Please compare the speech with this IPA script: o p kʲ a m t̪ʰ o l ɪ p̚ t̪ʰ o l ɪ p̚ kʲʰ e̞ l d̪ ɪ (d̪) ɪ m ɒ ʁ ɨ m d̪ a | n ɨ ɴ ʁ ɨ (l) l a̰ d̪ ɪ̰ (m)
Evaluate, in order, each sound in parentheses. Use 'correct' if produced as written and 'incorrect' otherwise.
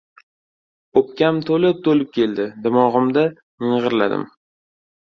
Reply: correct, incorrect, correct

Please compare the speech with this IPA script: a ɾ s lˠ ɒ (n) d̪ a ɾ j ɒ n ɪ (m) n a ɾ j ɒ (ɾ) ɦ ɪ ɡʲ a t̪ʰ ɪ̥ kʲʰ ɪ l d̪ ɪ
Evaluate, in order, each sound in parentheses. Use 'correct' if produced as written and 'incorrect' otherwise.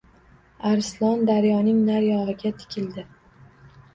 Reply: correct, incorrect, incorrect

